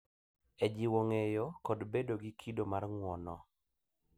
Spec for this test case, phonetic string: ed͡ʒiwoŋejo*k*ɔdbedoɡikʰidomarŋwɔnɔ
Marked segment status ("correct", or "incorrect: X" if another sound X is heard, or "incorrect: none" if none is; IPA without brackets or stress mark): correct